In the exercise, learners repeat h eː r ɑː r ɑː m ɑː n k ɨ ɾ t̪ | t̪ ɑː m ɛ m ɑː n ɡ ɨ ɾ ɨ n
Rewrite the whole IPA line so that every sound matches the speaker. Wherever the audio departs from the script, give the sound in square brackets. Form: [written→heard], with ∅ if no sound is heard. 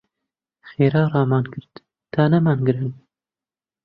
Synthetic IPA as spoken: [h→x] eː [r→ɾ] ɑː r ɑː m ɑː n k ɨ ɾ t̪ | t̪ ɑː [m→n] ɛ m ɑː n ɡ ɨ ɾ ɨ n